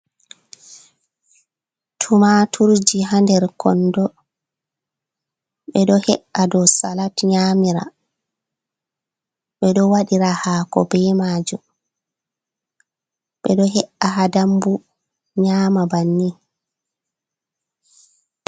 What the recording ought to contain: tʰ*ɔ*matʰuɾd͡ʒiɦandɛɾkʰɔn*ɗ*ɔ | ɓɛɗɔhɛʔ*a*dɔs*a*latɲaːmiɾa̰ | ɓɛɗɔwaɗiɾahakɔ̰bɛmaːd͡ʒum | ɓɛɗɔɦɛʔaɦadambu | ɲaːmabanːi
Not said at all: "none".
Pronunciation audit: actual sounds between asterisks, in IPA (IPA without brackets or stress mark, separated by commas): u, d, a, a